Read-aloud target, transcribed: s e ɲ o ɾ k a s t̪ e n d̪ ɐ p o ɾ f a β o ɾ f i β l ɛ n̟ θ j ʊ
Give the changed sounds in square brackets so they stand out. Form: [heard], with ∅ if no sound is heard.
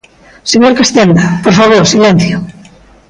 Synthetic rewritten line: s e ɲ o ɾ k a s t̪ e n d̪ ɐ p o ɾ f a β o ɾ [s] i [∅] l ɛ n̟ θ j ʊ